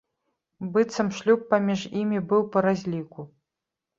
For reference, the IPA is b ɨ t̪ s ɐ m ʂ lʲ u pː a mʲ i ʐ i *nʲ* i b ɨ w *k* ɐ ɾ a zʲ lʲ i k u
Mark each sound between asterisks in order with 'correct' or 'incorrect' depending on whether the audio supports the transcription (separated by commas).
incorrect, incorrect